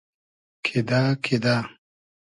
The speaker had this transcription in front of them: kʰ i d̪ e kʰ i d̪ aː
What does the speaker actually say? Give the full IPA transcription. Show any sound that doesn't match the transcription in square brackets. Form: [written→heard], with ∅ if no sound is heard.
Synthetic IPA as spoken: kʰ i d̪ [e→a] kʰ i d̪ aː